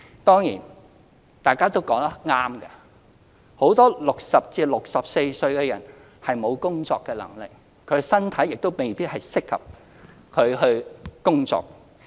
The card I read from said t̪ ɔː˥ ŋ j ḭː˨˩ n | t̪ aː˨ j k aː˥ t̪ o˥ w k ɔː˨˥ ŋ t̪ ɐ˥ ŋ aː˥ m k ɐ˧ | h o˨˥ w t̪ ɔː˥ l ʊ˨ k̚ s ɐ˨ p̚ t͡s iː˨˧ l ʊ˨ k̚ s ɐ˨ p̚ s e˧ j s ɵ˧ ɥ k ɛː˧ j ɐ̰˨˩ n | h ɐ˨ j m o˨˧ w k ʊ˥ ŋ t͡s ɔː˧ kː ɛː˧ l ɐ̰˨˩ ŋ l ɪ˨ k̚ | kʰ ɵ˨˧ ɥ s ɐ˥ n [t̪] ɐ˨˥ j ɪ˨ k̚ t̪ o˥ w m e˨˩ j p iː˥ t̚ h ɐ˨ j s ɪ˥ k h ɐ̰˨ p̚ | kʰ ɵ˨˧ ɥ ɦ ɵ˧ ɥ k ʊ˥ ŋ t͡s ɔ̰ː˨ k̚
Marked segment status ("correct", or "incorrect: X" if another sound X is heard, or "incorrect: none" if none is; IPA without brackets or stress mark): incorrect: t̪ʰ